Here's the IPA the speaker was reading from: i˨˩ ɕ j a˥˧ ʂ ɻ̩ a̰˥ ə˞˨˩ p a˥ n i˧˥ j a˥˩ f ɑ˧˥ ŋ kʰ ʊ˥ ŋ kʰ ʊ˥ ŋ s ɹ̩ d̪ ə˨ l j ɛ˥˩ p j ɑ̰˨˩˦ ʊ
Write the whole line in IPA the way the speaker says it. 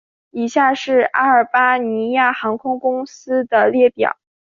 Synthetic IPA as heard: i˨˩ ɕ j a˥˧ ʂ ɻ̩ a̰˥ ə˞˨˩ p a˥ n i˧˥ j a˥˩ x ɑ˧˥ ŋ kʰ ʊ˥ ŋ k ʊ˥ ŋ s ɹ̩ d̪ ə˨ l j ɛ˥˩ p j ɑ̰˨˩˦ ʊ